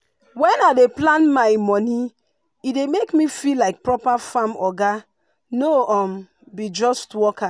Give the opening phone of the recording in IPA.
w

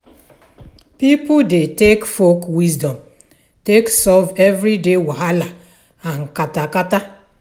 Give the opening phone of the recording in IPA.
p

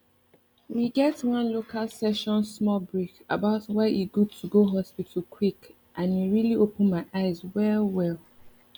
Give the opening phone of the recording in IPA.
w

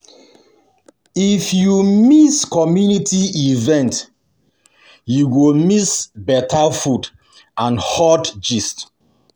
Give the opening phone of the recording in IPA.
i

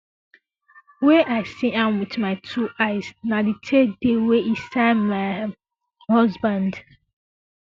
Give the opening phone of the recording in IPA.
w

